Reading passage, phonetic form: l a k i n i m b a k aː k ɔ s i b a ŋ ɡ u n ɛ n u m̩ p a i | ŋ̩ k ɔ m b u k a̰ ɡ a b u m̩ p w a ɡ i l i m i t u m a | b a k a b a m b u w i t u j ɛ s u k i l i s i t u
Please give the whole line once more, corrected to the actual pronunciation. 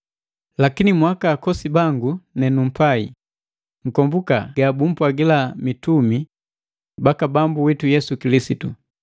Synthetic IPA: l a k i n i m w a k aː k ɔ s i b a ŋ ɡ u n ɛ n u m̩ p a i | ŋ̩ k ɔ m b u k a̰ ɡ a b u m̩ p w a ɡ i l a m i t u m i | b a k a b a m b u w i t u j ɛ s u k i l i s i t u